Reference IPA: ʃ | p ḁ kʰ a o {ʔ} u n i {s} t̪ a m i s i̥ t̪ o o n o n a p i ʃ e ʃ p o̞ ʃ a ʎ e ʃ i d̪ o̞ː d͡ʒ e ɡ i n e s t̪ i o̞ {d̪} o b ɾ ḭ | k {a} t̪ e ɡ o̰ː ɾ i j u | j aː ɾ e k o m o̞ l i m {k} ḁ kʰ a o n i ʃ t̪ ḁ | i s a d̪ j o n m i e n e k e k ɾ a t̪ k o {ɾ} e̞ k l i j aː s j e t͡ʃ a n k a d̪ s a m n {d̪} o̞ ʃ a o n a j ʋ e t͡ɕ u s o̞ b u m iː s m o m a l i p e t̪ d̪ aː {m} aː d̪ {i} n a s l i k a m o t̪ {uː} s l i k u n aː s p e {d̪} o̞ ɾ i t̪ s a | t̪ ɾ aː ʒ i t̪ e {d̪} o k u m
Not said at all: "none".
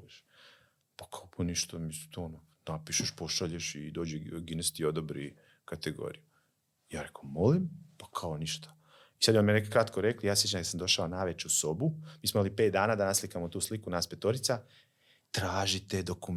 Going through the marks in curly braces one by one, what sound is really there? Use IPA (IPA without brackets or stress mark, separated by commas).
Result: p, ʃ, d̪, a, p, ɾ, d̪, n, a, uː, t̪, d̪